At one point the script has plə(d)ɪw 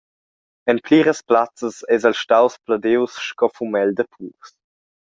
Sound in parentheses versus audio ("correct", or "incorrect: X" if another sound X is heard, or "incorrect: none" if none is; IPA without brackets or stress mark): correct